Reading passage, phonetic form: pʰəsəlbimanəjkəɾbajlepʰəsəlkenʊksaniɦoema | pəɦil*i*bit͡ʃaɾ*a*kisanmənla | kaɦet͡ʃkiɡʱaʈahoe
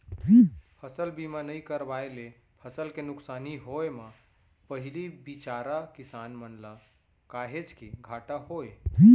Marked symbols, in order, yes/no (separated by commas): yes, yes